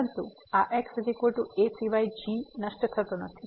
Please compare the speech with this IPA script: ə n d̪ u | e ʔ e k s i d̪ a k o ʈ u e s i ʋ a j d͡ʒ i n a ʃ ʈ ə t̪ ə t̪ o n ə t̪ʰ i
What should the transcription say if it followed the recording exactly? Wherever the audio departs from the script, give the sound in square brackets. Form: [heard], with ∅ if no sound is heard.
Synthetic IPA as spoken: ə n [t̪] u | [a] ʔ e k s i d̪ [i] k o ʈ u e s i ʋ a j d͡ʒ i n [ə] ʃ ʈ ə [t̪ʰ] ə t̪ o n ə t̪ʰ i